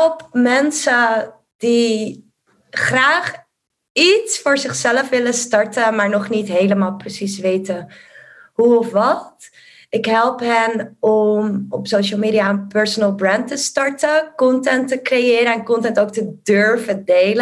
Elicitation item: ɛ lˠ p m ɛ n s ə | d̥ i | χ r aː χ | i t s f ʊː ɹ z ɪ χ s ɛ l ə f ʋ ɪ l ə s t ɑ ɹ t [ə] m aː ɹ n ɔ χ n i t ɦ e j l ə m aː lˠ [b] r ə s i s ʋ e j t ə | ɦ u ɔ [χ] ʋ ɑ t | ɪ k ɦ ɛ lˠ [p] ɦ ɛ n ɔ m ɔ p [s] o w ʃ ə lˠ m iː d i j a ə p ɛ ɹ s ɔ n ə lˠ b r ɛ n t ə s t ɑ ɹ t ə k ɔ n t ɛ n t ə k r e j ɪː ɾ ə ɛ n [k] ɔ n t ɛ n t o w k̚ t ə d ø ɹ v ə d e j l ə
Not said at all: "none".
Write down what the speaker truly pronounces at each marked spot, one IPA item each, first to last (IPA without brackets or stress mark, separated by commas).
ə, p, f, p, s, k